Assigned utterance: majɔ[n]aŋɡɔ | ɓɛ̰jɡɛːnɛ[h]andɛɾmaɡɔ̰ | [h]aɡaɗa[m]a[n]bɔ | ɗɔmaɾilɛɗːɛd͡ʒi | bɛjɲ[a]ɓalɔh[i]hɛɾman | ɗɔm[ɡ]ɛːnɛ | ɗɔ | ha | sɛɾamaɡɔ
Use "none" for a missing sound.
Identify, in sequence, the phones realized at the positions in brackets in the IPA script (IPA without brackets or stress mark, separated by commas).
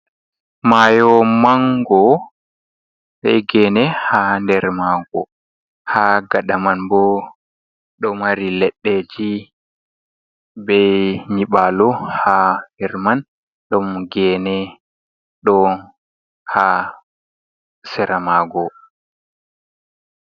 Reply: m, h, h, m, n, i, a, ɡ